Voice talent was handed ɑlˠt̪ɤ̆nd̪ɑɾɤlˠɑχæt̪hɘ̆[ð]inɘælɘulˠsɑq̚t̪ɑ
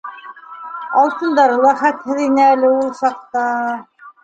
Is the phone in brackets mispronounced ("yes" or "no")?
no